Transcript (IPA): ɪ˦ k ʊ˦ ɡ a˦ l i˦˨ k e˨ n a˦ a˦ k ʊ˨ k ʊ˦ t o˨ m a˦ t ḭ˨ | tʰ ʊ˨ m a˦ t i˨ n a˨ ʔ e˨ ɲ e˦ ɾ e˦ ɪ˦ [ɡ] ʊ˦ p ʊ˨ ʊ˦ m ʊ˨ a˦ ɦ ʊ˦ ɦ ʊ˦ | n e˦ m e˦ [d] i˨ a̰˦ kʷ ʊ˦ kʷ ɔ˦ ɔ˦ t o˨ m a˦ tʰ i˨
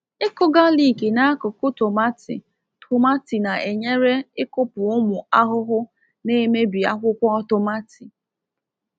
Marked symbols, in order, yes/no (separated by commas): no, no